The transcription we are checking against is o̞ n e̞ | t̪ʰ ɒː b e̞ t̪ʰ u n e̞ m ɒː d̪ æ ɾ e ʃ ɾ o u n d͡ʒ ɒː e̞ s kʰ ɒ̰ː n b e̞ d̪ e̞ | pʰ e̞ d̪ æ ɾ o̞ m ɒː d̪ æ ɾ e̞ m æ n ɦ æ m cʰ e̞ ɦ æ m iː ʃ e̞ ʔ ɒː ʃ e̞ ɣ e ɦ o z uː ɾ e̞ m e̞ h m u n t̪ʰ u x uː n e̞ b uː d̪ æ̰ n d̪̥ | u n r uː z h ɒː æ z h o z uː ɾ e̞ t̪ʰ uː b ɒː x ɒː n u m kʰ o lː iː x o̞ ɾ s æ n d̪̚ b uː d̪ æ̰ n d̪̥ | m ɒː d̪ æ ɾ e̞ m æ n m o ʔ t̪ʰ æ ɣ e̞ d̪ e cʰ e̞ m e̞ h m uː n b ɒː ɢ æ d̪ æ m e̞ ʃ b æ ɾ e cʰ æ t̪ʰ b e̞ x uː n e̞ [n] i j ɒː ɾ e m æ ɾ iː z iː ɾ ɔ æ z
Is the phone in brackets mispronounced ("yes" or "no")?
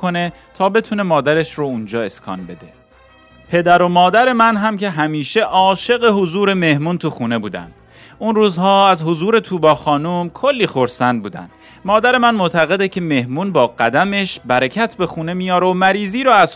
yes